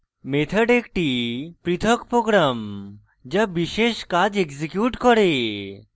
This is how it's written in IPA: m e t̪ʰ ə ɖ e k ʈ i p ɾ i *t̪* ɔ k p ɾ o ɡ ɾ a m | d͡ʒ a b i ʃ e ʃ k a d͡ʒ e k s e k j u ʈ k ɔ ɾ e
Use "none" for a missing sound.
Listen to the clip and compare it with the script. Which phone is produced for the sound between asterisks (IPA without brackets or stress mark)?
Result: t̪ʰ